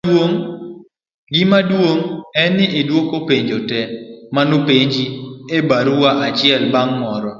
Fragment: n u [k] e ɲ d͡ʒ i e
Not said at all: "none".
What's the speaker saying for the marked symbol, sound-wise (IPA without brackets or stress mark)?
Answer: p